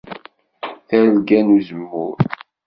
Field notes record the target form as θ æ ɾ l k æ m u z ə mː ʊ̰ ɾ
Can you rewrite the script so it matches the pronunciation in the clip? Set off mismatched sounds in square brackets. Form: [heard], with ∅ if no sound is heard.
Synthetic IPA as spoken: θ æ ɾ l [ɡ] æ [n] u z ə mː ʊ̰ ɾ